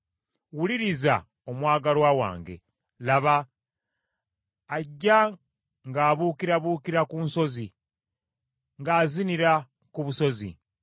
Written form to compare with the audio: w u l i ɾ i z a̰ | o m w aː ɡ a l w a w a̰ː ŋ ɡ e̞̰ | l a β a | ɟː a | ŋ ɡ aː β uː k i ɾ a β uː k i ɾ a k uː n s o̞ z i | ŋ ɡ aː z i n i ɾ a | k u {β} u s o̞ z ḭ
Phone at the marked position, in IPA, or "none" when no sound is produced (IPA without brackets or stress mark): β